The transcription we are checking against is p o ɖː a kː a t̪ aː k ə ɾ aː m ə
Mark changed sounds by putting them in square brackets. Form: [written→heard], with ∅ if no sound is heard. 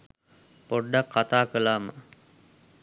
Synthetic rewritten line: p o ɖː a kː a t̪ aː k ə [ɾ→l] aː m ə